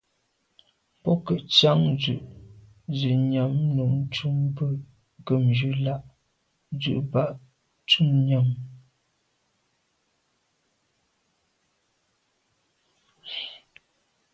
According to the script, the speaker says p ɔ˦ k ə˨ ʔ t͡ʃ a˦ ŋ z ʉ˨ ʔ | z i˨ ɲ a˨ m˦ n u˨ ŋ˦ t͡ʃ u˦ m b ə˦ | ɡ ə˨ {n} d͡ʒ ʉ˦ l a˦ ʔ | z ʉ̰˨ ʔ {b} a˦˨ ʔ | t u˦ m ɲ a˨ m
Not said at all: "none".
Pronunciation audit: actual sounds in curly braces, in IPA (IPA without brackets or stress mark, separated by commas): m, b